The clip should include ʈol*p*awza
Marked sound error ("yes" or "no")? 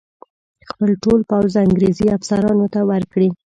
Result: no